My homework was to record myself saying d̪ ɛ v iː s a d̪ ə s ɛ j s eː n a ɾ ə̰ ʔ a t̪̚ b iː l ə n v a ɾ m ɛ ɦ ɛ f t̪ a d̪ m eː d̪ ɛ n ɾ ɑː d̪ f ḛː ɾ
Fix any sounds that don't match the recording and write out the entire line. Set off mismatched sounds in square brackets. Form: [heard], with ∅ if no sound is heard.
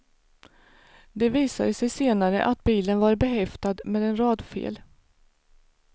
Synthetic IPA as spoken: d̪ ɛ v iː s a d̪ ə s ɛ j s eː n a ɾ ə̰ ʔ a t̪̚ b iː l ə n v a ɾ [b] ɛ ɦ ɛ f t̪ a d̪ m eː d̪ ɛ n ɾ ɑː d̪ f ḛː [l]